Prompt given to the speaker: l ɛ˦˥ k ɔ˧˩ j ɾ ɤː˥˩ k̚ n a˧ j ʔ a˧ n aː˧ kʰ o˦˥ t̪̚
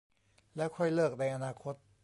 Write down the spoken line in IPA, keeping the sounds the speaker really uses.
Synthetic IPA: l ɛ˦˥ kʰ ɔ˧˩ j l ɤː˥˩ k̚ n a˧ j ʔ a˧ n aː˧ kʰ o˦˥ t̪̚